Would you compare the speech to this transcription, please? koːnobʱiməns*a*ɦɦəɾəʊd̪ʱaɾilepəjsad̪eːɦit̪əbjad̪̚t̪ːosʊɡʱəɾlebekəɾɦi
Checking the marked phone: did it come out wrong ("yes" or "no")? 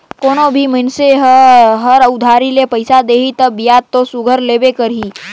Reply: yes